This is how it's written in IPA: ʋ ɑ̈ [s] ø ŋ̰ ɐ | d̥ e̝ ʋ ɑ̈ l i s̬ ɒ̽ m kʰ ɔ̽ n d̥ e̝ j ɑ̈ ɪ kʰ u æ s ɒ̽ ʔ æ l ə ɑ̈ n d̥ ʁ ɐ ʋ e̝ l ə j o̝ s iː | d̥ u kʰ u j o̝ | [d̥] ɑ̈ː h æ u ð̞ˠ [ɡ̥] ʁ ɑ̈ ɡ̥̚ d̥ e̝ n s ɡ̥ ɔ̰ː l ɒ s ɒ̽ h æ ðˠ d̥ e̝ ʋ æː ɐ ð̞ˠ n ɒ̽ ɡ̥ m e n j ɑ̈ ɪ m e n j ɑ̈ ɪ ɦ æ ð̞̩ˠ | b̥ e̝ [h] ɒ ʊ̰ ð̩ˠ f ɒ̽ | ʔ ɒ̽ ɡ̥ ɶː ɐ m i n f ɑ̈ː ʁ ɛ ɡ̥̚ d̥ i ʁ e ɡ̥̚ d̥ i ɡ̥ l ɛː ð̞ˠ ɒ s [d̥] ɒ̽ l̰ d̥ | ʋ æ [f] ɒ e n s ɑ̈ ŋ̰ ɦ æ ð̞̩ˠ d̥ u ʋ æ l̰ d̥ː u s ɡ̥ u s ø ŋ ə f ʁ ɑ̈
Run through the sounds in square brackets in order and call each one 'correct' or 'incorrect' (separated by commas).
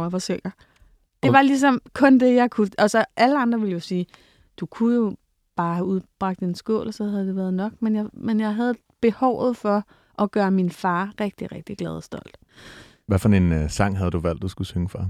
correct, incorrect, incorrect, correct, correct, correct